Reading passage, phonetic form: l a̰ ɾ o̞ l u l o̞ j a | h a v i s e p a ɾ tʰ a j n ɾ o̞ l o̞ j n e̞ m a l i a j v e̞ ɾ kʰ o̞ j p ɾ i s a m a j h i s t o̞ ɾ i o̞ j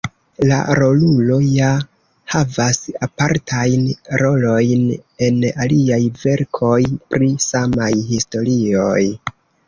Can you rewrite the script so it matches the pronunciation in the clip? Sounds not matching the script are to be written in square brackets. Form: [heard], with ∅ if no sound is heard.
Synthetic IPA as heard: l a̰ ɾ o̞ l u l o̞ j a | h a v [a] s [a] p a ɾ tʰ a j n ɾ o̞ l o̞ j n e̞ [n] a l i a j v e̞ ɾ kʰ o̞ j p ɾ i s a m a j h i s t o̞ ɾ i o̞ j

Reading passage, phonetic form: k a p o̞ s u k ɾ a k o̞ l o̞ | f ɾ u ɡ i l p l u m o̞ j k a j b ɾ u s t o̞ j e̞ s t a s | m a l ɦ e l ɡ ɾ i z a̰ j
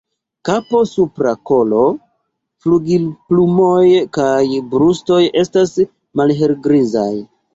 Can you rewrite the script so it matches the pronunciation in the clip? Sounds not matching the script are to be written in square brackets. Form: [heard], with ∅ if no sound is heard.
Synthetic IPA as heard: k a p o̞ s u [p] ɾ a k o̞ l o̞ | f [l] u ɡ i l p l u m o̞ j k a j b ɾ u s t o̞ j e̞ s t a s | m a l ɦ e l ɡ ɾ i z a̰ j

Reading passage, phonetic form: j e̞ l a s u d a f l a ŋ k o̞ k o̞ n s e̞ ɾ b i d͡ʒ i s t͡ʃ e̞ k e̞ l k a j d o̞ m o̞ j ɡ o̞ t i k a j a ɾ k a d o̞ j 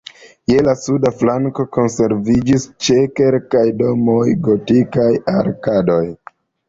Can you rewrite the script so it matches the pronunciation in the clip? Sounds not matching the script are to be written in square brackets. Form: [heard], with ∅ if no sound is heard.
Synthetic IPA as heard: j e̞ l a s u d a f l a ŋ k o̞ k o̞ n s e̞ ɾ [v] i d͡ʒ i s t͡ʃ e̞ k e̞ l k a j d o̞ m o̞ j ɡ o̞ t i k a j a ɾ k a d o̞ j

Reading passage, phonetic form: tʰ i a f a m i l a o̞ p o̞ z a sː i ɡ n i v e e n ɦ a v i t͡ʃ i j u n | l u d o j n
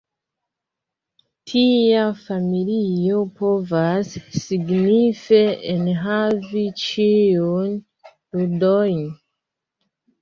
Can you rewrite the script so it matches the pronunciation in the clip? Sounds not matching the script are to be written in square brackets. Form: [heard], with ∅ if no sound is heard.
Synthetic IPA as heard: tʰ i a f a m i l [i] o̞ p o̞ [v] a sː i ɡ n i [f] e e n ɦ a v i t͡ʃ i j u n | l u d o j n

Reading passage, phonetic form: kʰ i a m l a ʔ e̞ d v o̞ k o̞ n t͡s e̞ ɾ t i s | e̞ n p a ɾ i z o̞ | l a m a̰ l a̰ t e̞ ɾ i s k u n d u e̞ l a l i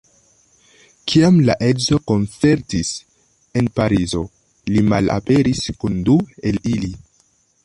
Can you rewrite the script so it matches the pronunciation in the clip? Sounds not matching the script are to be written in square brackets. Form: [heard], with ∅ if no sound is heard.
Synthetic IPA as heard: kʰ i a m l a ʔ e̞ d [z] o̞ k o̞ n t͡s e̞ ɾ t i s | e̞ n p a ɾ i z o̞ | l [i] m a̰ l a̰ [p] e̞ ɾ i s k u n d u e̞ l [i] l i

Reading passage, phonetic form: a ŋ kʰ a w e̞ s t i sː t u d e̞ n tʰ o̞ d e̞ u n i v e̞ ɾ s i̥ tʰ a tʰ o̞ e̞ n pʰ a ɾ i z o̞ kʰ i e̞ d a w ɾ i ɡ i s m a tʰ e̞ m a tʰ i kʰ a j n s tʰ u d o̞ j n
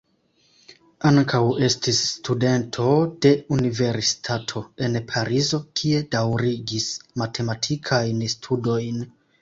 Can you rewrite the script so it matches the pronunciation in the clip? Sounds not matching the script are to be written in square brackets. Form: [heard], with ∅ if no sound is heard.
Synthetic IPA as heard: a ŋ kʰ a w e̞ s t i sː t u d e̞ n tʰ o̞ d e̞ u n i v e̞ ɾ s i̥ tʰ a tʰ o̞ e̞ n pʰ a ɾ i z o̞ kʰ i e̞ d a w ɾ i ɡ i s m a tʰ e̞ m a tʰ i kʰ a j n s tʰ u d o̞ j n

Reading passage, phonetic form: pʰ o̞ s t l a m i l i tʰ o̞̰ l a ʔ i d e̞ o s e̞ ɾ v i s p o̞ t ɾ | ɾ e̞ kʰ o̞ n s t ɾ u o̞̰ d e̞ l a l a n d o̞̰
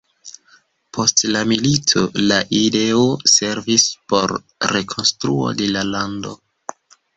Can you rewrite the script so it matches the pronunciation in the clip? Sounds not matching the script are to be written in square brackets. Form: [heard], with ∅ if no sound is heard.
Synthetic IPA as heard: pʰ o̞ s t l a m i l i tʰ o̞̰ l a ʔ i d e̞ o s e̞ ɾ v i s p o̞ [∅] ɾ | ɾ e̞ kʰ o̞ n s t ɾ u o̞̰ d e̞ l a l a n d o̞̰

